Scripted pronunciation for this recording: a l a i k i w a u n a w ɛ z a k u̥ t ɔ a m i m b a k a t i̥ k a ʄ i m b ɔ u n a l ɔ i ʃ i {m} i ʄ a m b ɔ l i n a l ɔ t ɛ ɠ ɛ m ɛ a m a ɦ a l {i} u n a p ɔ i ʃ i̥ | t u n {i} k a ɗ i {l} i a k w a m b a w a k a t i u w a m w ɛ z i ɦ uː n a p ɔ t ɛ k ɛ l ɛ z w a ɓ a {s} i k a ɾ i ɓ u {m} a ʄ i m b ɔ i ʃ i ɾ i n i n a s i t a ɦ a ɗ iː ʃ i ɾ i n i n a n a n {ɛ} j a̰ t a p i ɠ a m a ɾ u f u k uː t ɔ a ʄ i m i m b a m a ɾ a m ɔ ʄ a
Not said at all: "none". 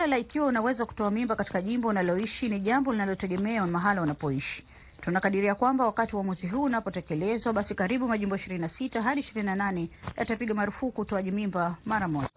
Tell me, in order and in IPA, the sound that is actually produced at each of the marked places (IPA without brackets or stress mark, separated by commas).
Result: n, a, a, ɾ, s, m, ɛ